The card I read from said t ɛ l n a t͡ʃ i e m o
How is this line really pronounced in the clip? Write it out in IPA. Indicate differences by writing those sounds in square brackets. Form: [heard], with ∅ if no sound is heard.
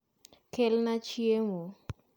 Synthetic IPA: [k] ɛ l n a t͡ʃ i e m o